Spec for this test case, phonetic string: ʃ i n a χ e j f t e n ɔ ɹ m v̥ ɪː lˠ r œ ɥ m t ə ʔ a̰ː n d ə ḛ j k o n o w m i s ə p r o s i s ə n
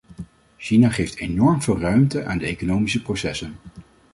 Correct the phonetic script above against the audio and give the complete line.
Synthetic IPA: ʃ i n a χ e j f t e n ɔ ɹ m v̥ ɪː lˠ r œ ɥ m t ə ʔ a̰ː n d ə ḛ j k o n o w m i s ə p r o s ɛ s ə n